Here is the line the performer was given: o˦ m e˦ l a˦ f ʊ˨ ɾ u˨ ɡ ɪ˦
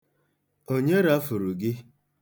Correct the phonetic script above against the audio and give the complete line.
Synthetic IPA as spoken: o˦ ɲ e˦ ɾ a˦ f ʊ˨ ɾ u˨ ɡ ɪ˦